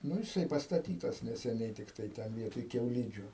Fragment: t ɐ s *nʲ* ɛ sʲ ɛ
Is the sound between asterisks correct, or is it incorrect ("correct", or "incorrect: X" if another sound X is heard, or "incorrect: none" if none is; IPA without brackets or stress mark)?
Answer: correct